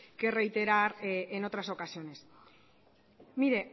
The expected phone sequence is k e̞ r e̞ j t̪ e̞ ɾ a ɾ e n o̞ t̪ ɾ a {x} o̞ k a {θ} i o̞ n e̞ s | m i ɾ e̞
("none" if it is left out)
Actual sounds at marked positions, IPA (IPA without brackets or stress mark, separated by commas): s, s